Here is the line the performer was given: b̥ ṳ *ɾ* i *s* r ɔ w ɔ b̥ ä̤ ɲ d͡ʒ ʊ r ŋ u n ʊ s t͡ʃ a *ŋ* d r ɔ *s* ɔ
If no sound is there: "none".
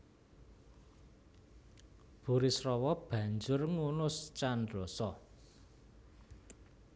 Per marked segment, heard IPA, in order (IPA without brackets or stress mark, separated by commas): ɾ, s, n, s